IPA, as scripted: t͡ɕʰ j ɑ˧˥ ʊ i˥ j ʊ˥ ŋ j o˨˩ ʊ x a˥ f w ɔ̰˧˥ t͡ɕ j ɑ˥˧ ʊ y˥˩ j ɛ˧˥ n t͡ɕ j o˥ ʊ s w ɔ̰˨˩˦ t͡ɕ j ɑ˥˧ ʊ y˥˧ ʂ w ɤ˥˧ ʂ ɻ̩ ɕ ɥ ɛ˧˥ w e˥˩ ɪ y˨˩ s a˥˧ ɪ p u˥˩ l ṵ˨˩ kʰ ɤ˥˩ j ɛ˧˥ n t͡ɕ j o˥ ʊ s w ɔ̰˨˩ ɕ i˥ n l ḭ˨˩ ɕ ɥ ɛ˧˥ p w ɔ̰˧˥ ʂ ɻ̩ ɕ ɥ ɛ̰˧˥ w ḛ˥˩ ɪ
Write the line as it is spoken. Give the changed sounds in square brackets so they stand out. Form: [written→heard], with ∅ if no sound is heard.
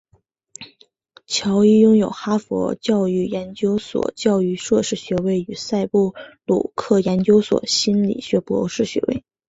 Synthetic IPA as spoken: t͡ɕʰ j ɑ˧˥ ʊ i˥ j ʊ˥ ŋ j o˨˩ ʊ x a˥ f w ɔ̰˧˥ t͡ɕ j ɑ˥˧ ʊ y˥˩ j ɛ˧˥ n t͡ɕ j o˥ ʊ s w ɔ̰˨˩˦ t͡ɕ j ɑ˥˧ ʊ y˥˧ ʂ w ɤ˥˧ ʂ ɻ̩ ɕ ɥ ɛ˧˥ w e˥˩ ɪ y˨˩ s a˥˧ ɪ p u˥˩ l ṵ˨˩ kʰ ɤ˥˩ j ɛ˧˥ n t͡ɕ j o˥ ʊ s w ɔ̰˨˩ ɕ i˥ n l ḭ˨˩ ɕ ɥ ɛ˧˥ p w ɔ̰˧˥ ʂ ɻ̩ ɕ ɥ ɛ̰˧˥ w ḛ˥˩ ɪ